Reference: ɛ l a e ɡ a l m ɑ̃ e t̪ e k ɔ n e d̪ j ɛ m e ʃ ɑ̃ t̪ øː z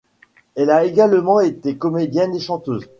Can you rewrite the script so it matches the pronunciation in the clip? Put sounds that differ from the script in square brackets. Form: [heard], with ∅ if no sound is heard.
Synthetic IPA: ɛ l a e ɡ a l m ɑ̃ e t̪ e k ɔ [m] e d̪ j ɛ [n] e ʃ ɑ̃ t̪ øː z